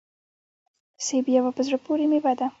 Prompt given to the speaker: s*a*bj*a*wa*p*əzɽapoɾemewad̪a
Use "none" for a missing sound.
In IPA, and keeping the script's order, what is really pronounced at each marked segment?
e, a, p

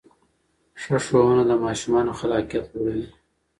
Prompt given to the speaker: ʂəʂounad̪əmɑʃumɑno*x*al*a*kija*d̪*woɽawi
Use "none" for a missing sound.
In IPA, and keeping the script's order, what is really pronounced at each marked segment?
x, ɑ, t̪

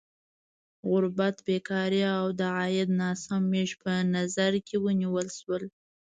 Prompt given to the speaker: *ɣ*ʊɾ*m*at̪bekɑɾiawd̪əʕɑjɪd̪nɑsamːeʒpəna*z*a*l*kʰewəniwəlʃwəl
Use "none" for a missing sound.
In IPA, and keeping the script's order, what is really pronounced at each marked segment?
ɣ, b, z, ɾ

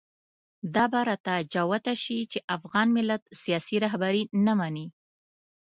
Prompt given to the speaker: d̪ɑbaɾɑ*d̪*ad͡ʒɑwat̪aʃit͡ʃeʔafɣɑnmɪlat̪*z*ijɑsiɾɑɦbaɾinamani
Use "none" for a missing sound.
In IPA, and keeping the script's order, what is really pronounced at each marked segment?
t̪, s

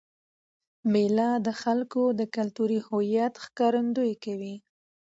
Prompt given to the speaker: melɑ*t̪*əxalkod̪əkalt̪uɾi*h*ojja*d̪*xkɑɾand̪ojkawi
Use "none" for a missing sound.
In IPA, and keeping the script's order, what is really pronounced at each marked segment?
d̪, h, t̪

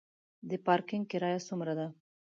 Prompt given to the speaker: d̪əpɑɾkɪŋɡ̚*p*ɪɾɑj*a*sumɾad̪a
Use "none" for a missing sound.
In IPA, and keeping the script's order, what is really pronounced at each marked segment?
k, a

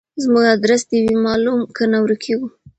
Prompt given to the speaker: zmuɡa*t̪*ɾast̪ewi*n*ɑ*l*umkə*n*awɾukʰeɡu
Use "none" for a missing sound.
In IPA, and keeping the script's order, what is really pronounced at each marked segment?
d̪, m, l, n

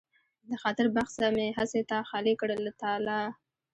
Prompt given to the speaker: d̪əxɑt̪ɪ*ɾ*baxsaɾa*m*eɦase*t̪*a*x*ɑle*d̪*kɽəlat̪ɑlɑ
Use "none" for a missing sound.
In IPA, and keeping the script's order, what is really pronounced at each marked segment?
ɾ, m, t̪, x, none

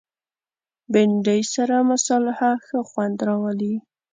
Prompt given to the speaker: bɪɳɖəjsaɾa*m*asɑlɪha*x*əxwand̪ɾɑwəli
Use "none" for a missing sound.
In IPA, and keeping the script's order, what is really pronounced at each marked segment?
m, x

